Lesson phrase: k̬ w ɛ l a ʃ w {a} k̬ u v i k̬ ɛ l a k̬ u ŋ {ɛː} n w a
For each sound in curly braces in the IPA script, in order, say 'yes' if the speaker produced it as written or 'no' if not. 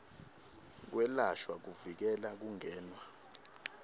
yes, yes

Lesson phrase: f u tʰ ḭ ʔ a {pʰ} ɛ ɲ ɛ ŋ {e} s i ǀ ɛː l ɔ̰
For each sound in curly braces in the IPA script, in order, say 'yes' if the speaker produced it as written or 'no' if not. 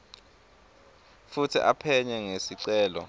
yes, yes

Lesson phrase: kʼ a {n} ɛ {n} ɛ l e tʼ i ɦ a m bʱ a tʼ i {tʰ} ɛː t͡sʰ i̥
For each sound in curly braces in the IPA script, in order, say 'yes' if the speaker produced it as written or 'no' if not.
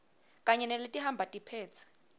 no, yes, no

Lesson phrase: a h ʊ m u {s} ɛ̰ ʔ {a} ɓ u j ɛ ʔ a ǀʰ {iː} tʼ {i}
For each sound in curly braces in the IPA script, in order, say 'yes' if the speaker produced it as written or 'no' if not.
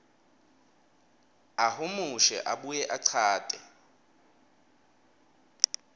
no, yes, no, no

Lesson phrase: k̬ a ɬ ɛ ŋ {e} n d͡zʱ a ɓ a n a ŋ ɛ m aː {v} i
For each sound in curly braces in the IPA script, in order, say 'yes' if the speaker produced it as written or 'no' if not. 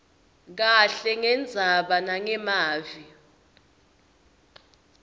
no, yes

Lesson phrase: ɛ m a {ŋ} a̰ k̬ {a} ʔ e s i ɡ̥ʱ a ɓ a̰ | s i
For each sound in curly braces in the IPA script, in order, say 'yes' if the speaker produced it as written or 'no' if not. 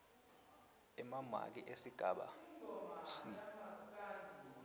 no, no

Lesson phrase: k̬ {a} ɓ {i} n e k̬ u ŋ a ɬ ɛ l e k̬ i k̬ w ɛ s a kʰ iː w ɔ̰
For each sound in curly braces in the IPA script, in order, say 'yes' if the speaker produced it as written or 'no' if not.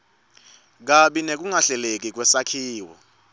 yes, yes

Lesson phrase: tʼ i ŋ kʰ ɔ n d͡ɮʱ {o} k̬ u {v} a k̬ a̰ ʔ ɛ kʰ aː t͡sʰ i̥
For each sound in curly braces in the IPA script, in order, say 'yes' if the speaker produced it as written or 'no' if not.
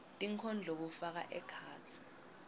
yes, no

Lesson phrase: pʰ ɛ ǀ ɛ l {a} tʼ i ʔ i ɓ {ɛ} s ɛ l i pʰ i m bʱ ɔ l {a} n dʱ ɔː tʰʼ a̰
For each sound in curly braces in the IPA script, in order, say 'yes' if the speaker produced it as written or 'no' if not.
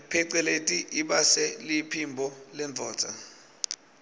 no, no, no

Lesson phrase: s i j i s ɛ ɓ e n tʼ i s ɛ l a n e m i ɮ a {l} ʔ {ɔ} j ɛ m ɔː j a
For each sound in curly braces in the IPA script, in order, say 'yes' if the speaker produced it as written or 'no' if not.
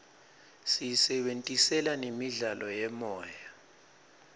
yes, yes

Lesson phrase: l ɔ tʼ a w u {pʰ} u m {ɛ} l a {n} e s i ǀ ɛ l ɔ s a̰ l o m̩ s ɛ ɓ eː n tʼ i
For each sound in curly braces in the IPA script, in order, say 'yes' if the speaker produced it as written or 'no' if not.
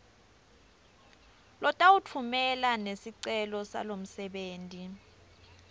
no, yes, yes

